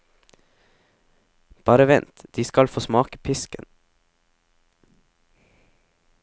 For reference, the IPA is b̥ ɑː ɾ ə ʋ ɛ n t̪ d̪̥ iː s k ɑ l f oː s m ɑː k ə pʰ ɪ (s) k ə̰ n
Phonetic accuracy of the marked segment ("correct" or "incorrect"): correct